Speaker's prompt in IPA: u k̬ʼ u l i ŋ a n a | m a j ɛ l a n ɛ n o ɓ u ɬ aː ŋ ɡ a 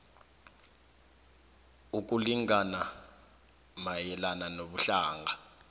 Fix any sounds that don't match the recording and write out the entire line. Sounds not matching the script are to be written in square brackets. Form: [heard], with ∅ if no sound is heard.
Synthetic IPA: u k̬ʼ u l i ŋ a n a | m a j ɛ l a n [a] n o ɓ u ɬ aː ŋ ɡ a